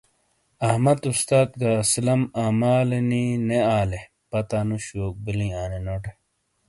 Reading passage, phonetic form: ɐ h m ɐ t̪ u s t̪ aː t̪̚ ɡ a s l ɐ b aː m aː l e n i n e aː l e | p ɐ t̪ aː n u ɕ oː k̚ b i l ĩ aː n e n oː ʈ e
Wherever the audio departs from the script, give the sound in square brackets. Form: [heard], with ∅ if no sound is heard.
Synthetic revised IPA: ɐ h m ɐ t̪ u s t̪ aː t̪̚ ɡ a s l ɐ [m] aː m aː l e n i n e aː l e | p ɐ t̪ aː n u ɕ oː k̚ b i l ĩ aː n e n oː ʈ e